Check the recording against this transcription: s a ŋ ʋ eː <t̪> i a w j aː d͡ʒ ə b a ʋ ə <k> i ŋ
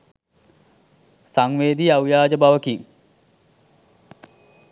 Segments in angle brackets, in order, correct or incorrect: incorrect: d̪, correct

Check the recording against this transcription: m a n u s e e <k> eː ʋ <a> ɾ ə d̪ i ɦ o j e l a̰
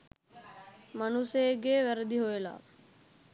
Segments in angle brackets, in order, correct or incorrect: incorrect: ɡ, incorrect: æ

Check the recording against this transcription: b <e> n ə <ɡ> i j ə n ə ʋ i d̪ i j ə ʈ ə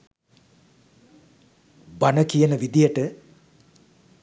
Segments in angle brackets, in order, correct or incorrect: incorrect: a, incorrect: k

